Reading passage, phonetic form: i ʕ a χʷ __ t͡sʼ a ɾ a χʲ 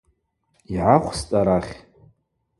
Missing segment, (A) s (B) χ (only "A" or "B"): A